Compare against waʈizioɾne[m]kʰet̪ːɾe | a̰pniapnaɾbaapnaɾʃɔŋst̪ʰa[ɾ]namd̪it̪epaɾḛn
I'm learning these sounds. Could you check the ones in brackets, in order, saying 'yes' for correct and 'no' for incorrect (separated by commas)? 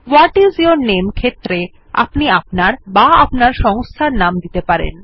yes, yes